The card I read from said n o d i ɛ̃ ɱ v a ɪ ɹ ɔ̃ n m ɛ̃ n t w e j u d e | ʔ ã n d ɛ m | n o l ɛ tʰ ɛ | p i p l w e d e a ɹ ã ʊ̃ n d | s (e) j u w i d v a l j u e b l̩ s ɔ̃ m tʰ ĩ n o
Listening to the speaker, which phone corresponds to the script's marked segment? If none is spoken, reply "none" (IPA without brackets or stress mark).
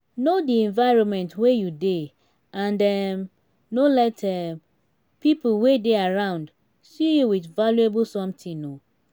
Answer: i